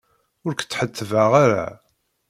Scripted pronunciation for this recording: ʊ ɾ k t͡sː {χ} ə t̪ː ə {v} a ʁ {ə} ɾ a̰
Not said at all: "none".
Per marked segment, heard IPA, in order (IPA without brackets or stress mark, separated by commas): ħ, v, a